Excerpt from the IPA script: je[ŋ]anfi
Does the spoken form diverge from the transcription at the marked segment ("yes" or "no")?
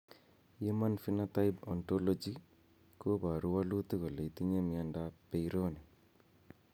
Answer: yes